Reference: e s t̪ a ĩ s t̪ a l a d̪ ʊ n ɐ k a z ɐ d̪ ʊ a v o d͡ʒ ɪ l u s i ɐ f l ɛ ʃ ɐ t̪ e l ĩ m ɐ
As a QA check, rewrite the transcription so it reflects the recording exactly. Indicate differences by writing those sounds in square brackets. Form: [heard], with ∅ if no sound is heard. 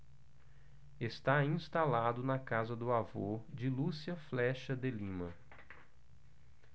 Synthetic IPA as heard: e s t̪ a ĩ s t̪ a l a d̪ ʊ n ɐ k a z ɐ d̪ ʊ a v o d͡ʒ ɪ l u s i ɐ f l ɛ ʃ ɐ [d̪] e l ĩ m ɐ